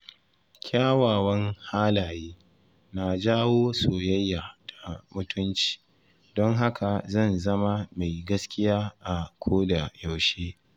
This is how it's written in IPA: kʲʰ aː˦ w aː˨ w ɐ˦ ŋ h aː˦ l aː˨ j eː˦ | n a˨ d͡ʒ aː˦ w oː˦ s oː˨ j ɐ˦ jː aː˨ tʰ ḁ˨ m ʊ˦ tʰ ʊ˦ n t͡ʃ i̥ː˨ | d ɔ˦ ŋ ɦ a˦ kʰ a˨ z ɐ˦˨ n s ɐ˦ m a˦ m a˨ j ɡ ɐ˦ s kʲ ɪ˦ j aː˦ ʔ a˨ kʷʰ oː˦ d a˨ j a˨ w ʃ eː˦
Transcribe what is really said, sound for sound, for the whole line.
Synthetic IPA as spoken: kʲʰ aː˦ w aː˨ w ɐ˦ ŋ h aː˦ l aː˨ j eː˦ | n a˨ d͡ʒ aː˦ w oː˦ s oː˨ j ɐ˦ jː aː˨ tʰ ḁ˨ m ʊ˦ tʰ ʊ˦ n t͡ʃ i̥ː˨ | d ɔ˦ ŋ ɦ a˦ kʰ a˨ z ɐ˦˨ n z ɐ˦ m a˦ m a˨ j ɡ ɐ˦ s kʲ ɪ˦ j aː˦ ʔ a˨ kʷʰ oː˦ d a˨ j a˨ w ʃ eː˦